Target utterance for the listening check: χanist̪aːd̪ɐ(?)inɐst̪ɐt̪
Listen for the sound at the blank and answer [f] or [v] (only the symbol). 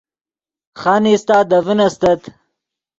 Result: v